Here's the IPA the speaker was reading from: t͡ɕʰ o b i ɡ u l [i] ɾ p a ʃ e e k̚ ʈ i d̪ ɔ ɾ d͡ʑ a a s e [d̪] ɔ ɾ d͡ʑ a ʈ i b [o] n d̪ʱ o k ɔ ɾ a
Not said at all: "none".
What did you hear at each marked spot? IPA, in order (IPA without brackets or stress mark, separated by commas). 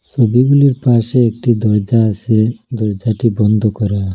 i, d̪, ɔ